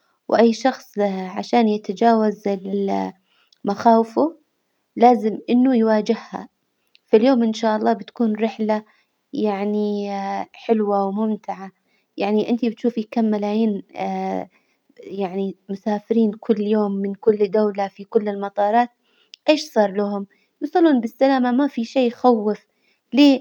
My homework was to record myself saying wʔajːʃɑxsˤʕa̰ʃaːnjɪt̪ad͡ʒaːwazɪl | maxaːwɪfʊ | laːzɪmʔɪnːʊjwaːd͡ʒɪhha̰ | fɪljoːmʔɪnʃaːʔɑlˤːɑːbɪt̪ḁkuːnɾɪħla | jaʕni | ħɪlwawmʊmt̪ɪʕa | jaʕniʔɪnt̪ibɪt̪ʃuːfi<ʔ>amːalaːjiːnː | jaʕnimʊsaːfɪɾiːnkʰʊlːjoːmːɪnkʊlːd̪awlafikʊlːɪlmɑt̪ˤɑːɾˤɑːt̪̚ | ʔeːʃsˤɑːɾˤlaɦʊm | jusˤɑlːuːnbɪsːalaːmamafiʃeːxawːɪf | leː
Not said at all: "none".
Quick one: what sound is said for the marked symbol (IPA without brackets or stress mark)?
k